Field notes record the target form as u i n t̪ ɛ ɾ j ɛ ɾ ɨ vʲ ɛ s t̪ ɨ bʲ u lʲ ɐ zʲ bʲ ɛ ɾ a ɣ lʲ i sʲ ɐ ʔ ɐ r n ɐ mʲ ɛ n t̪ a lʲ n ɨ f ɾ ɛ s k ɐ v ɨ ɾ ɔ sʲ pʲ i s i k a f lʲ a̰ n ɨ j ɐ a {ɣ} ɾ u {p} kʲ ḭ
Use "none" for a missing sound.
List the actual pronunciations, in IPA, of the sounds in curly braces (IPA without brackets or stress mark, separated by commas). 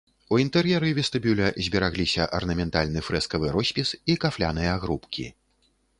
ɣ, p